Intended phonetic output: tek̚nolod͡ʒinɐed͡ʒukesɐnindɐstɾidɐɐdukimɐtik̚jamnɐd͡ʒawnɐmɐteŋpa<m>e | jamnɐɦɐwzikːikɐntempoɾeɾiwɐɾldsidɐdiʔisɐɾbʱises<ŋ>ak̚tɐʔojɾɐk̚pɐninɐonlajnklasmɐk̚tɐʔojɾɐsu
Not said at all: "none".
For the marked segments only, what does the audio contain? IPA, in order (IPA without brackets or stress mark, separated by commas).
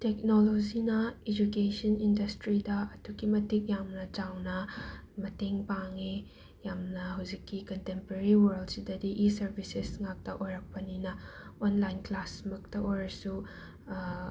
ŋ, ŋ